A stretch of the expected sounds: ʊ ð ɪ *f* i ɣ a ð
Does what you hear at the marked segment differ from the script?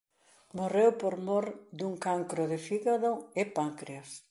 no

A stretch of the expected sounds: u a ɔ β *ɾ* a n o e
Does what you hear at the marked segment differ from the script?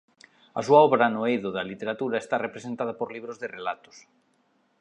no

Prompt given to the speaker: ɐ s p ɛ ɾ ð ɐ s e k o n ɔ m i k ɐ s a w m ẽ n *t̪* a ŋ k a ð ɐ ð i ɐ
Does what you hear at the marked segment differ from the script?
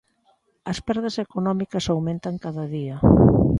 no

